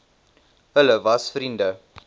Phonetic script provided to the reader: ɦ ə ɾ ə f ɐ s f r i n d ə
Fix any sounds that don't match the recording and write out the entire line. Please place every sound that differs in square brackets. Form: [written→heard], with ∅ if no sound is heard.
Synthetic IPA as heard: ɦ ə [ɾ→l] ə [f→v] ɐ s f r i n d ə